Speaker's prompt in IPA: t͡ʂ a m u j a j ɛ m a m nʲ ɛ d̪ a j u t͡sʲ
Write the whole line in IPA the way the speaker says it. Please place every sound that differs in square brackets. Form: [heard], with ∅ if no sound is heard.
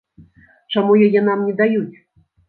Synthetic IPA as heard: t͡ʂ a m u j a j ɛ [n] a m nʲ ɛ d̪ a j u t͡sʲ